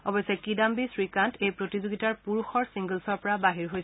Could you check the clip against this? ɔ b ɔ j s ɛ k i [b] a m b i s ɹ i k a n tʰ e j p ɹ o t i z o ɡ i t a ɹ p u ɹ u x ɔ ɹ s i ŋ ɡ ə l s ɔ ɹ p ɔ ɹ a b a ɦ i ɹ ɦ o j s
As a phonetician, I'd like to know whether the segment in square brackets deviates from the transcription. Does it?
yes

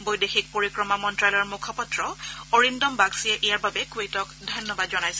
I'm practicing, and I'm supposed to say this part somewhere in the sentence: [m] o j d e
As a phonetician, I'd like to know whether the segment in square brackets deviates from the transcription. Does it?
yes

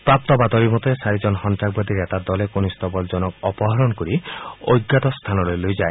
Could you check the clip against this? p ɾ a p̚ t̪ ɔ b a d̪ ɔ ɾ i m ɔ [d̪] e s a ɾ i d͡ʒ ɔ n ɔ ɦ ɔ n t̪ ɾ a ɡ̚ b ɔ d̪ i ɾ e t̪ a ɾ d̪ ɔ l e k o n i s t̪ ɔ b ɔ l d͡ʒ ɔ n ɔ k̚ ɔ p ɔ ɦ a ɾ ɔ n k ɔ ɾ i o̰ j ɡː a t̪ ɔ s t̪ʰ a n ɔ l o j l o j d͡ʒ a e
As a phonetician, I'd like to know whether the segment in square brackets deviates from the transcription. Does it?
yes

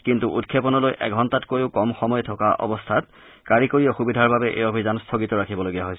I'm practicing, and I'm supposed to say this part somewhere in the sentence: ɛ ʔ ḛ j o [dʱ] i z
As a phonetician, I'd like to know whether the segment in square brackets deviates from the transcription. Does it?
yes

